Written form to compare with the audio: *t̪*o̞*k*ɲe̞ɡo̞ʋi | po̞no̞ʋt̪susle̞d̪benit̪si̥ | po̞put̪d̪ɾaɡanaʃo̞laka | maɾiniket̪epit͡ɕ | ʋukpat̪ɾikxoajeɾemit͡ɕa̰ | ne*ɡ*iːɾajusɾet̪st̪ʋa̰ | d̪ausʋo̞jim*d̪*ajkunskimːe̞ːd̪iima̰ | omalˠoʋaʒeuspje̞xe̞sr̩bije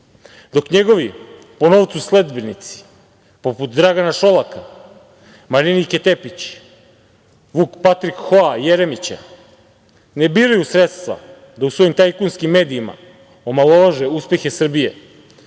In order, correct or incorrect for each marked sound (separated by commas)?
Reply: incorrect, correct, incorrect, incorrect